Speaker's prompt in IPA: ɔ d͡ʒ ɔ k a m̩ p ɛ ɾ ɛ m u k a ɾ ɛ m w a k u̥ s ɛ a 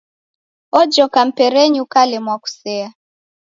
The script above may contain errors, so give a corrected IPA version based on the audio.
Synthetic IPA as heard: ɔ d͡ʒ ɔ k a m̩ p ɛ ɾ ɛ ɲ u k a l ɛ m w a k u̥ s ɛ a